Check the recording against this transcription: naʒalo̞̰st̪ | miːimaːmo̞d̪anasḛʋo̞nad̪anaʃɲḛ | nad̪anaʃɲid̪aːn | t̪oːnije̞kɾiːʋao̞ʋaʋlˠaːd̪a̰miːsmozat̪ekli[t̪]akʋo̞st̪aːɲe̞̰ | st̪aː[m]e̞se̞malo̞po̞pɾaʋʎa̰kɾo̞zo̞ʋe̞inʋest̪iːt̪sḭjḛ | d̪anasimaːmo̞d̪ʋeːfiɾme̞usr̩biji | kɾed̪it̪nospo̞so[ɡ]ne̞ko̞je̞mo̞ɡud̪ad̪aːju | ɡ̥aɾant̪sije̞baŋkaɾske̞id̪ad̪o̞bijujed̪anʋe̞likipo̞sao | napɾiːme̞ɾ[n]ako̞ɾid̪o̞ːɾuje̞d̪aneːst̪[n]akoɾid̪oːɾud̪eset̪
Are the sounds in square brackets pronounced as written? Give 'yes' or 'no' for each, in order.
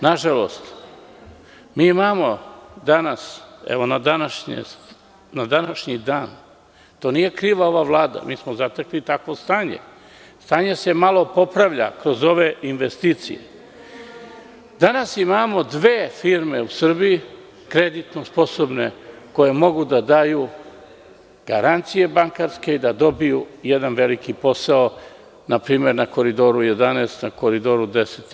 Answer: yes, no, no, yes, yes

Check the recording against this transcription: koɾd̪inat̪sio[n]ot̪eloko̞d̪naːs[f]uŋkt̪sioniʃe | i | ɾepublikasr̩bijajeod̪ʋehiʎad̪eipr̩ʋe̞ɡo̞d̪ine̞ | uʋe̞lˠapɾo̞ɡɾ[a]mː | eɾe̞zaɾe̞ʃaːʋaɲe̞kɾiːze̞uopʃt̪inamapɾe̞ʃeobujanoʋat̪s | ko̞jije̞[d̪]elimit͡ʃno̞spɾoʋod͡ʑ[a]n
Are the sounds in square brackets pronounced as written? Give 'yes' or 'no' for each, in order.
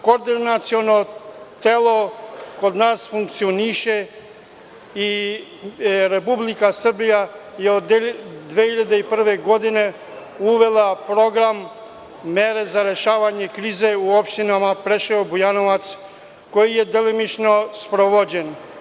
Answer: yes, yes, yes, yes, no

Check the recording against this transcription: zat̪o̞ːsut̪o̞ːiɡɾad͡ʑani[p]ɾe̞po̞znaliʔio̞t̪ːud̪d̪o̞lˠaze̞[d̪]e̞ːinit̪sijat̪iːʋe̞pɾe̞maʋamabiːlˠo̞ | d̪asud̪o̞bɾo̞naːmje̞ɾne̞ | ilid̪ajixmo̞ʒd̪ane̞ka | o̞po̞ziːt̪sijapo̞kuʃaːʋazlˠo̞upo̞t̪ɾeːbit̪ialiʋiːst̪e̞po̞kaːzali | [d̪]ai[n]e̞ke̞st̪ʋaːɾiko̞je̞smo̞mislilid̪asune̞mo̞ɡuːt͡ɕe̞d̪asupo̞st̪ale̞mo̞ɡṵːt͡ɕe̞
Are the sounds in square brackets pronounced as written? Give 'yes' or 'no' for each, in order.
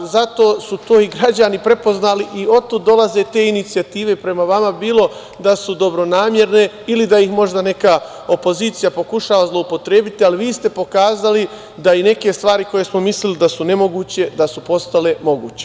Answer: yes, no, yes, yes

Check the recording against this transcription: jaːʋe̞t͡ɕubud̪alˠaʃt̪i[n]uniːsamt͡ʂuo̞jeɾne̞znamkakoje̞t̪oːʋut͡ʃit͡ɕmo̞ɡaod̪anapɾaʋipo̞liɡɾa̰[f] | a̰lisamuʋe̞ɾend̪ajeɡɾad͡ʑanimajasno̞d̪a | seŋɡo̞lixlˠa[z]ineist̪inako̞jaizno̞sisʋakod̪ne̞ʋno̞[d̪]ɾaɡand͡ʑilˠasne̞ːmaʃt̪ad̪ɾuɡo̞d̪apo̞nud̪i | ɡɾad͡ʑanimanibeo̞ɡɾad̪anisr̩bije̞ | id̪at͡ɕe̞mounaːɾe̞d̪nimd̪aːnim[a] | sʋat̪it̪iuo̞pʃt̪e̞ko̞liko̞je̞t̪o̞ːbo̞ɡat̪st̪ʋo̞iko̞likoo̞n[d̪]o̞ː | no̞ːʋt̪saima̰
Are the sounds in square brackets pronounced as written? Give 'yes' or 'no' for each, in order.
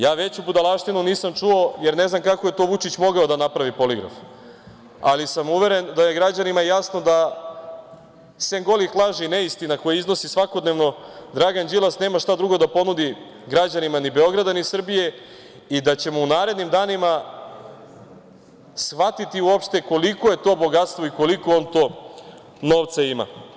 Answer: yes, yes, no, yes, yes, no

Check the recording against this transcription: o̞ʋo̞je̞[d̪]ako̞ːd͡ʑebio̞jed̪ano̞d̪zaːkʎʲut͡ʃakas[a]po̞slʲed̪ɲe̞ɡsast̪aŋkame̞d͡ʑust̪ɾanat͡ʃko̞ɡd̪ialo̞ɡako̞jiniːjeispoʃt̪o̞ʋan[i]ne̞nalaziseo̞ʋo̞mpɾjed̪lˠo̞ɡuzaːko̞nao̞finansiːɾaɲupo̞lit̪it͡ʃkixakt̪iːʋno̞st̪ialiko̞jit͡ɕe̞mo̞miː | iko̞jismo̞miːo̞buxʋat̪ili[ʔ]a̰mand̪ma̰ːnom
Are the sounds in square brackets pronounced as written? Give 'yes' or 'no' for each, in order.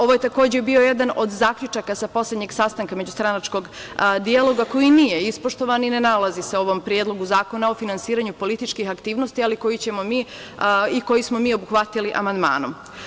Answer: no, yes, yes, yes

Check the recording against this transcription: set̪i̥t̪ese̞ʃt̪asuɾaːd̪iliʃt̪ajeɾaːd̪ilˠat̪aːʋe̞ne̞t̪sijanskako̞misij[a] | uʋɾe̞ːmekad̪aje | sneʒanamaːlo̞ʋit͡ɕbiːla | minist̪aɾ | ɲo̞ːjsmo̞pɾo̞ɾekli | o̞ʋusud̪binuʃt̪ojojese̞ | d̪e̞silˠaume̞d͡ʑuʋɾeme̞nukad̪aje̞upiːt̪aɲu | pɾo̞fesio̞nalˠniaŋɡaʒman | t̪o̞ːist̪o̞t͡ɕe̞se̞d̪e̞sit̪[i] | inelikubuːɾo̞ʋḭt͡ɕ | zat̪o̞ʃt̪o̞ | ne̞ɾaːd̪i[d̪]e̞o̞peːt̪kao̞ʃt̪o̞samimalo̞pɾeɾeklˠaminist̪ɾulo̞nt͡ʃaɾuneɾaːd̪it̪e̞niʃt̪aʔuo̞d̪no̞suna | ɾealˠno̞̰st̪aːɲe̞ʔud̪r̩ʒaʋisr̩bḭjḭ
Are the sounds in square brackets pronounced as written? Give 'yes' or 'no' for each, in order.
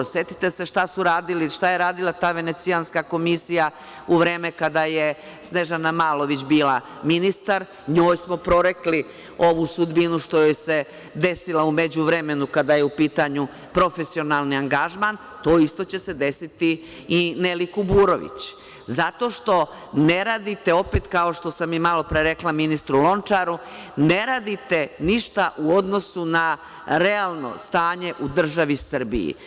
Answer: yes, yes, no

